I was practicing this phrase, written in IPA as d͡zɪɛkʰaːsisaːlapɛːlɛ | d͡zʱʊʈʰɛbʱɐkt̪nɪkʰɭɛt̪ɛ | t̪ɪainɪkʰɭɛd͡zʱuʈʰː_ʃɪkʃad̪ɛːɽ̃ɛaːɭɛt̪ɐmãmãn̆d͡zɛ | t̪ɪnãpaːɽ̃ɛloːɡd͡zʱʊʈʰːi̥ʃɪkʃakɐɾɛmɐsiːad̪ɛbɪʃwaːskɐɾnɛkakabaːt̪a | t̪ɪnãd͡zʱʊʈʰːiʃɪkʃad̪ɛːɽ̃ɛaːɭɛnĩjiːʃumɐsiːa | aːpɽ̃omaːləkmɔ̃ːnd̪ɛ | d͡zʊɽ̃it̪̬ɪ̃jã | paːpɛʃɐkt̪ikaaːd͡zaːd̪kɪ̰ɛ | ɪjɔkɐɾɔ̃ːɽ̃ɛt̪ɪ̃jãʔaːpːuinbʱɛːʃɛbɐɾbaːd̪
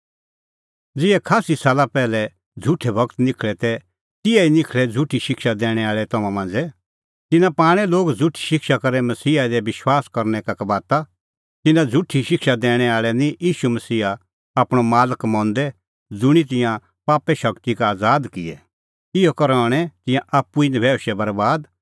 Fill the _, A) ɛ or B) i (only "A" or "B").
B